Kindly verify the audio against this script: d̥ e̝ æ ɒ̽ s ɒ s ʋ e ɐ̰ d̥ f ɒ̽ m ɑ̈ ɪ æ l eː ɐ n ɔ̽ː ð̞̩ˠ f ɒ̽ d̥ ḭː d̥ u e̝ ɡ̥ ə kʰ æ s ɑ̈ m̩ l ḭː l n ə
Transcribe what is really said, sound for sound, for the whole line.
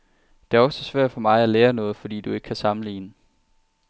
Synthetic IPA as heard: d̥ e̝ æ ɒ̽ s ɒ s ʋ æ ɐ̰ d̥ f ɒ̽ m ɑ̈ ɪ æ l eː ɐ n ɔ̽ː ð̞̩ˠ f ɒ̽ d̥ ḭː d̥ u e̝ ɡ̥ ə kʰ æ s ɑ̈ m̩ l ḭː n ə